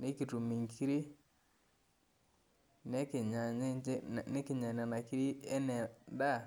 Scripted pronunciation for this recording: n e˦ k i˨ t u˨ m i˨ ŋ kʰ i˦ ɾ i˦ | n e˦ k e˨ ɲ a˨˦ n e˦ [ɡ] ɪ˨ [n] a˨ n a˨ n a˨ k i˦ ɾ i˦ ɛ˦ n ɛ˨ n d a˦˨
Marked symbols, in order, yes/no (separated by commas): no, no